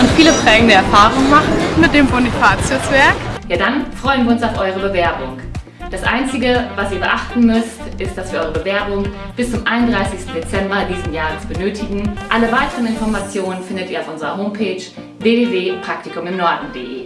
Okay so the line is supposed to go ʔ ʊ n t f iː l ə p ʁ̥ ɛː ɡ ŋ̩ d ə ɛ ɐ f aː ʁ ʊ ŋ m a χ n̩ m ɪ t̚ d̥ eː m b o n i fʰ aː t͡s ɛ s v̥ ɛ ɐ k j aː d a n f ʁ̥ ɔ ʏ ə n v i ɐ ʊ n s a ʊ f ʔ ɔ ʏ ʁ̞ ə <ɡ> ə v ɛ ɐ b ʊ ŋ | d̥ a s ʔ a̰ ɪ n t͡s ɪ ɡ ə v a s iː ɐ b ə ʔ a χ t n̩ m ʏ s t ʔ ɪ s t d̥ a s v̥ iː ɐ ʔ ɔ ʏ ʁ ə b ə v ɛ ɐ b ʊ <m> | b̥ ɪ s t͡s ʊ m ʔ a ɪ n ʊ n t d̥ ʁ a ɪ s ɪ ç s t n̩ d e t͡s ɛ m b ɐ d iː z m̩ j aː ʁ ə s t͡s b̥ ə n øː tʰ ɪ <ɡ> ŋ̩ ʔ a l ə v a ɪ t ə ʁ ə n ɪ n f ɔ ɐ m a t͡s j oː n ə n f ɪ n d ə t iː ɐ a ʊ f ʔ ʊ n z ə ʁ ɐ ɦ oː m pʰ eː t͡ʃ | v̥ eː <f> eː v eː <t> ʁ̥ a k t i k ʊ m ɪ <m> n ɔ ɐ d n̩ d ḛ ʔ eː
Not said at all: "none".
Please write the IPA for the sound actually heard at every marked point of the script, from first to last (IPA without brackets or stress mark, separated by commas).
b, ŋ, ɡ, v, p, m